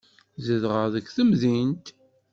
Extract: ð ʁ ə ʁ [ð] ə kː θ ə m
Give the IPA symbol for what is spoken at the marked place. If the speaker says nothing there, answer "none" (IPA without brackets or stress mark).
ð